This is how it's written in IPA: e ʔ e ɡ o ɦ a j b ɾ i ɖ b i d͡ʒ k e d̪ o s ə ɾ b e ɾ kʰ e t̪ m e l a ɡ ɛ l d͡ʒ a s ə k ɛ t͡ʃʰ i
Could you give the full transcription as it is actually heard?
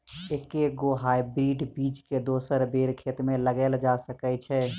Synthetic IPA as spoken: e k e ɡ o ɦ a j b ɾ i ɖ b i d͡ʒ k e d̪ o s ə ɾ b e ɾ kʰ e t̪ m e l ə ɡ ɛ l d͡ʒ a s ə k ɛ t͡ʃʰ ɛ